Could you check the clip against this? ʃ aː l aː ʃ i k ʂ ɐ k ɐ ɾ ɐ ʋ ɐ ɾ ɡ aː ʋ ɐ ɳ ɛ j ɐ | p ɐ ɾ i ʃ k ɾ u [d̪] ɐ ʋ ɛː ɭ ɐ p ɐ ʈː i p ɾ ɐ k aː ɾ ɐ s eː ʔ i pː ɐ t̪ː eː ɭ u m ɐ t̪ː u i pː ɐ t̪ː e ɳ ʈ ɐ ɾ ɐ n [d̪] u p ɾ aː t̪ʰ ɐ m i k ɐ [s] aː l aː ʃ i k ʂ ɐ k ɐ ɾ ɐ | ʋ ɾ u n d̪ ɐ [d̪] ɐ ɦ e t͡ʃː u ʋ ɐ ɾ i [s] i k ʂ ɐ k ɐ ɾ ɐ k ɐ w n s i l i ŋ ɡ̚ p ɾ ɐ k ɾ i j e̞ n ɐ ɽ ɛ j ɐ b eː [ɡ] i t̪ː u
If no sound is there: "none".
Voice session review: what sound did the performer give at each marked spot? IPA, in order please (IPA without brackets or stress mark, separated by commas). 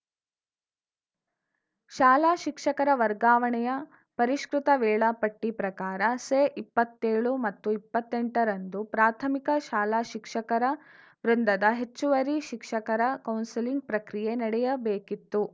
t̪, d̪, ʃ, d̪, ʃ, k